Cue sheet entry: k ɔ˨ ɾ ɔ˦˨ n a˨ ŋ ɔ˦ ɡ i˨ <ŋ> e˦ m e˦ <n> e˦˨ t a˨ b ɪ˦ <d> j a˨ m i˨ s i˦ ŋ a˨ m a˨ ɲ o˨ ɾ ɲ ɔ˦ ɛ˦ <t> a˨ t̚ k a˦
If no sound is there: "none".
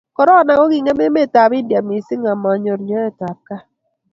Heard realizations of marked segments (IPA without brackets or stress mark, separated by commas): ŋ, m, d, t